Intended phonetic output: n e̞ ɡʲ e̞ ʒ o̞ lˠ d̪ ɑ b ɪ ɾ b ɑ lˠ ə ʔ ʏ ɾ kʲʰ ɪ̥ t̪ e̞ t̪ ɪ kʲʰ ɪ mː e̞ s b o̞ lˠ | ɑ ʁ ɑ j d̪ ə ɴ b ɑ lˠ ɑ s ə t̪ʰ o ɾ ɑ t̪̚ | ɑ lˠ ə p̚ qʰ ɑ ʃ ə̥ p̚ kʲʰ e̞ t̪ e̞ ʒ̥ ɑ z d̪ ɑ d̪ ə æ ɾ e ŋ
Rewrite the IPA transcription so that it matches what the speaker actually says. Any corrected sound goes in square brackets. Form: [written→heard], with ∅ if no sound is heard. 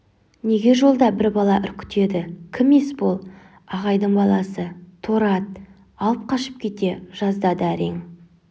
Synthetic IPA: n e̞ ɡʲ e̞ ʒ o̞ lˠ d̪ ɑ b ɪ ɾ b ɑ lˠ [ə→ɑ] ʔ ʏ ɾ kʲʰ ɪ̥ t̪ e̞ [t̪→d̪] ɪ kʲʰ ɪ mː e̞ s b o̞ lˠ | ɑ ʁ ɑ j d̪ ə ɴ b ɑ lˠ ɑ s ə t̪ʰ o ɾ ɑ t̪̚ | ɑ lˠ ə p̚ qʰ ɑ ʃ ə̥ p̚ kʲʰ e̞ t̪ e̞ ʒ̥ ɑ z d̪ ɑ d̪ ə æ ɾ e ŋ